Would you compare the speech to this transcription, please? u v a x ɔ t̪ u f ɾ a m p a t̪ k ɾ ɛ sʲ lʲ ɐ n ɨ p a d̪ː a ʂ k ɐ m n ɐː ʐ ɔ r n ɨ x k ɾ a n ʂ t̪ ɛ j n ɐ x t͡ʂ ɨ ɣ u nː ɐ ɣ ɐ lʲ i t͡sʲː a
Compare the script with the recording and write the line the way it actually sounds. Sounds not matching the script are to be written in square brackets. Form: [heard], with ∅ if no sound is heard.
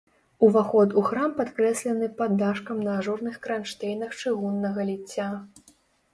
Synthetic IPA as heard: u v a x ɔ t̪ u [x] ɾ a m p a t̪ k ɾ ɛ sʲ lʲ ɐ n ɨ p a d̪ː a ʂ k ɐ m n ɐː ʐ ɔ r n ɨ x k ɾ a n ʂ t̪ ɛ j n ɐ x t͡ʂ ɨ ɣ u nː ɐ ɣ ɐ lʲ i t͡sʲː a